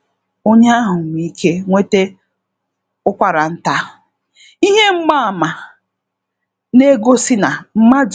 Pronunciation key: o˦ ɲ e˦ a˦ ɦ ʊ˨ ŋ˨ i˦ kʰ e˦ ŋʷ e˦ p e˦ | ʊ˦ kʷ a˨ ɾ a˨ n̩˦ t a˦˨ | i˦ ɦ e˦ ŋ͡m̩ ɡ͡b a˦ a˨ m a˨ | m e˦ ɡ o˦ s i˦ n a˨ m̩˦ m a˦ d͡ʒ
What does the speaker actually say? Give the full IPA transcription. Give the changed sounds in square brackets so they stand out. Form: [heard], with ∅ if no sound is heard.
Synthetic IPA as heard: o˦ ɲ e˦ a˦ ɦ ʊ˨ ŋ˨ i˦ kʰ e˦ ŋʷ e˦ [t] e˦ | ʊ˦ kʷ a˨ ɾ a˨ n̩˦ t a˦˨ | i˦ ɦ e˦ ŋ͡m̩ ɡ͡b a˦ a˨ m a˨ | [n] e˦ ɡ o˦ s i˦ n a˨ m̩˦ m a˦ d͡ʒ